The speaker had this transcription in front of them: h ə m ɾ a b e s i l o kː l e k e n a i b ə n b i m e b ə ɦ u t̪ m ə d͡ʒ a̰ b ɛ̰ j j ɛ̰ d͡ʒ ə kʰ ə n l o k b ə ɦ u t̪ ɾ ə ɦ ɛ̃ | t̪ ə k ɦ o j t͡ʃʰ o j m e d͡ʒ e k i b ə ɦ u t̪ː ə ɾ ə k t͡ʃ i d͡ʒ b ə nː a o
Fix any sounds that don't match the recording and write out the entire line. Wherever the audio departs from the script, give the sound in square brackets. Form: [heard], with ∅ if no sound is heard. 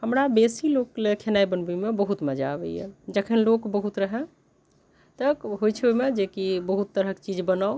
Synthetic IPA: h ə m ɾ a b e s i l o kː l e [kʰ] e n a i b ə n b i m e b ə ɦ u t̪ m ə d͡ʒ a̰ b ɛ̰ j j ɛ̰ d͡ʒ ə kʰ ə n l o k b ə ɦ u t̪ ɾ ə ɦ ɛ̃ | t̪ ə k ɦ o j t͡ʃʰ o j m e d͡ʒ e k i b ə ɦ u t̪ː ə ɾ ə k t͡ʃ i d͡ʒ b ə [n] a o